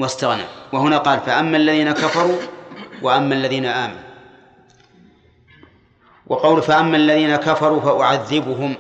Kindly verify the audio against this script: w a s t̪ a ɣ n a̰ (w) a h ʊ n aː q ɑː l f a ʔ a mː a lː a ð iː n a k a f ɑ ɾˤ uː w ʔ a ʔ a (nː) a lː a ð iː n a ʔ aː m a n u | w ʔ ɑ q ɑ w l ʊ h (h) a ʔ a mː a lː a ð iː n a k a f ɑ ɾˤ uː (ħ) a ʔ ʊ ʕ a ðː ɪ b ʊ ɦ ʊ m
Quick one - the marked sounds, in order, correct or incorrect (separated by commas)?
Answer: correct, incorrect, incorrect, incorrect